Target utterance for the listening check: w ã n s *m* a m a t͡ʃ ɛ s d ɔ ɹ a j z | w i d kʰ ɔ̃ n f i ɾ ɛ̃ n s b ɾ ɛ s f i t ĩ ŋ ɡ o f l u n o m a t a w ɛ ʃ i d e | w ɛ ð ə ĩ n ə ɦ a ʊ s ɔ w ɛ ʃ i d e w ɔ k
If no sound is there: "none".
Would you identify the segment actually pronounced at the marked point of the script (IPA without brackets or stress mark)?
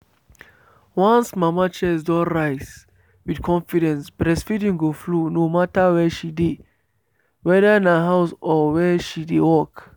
m